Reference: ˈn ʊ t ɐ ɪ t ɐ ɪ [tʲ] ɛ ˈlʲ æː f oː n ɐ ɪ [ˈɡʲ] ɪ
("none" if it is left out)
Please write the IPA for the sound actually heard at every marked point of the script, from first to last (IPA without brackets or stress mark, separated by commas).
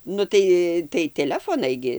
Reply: tʲ, ɡʲ